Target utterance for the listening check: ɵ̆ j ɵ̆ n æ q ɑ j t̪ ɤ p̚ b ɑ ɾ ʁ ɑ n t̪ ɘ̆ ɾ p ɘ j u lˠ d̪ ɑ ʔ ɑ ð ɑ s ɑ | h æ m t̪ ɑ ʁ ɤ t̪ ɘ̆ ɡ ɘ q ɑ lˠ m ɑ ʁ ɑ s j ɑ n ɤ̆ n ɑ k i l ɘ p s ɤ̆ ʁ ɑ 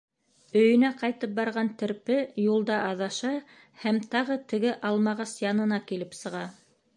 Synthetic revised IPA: ɵ̆ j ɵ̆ n æ q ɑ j t̪ ɤ p̚ b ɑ ɾ ʁ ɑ n t̪ ɘ̆ ɾ p ɘ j u lˠ d̪ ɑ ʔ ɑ ð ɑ ʃ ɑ | h æ m t̪ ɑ ʁ ɤ t̪ ɘ̆ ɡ ɘ ʔ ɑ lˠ m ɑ ʁ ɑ s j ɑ n ɤ̆ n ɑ k i l ɘ p s ɤ̆ ʁ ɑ